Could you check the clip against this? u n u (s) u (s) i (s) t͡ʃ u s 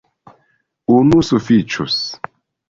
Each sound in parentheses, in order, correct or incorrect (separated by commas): correct, incorrect, incorrect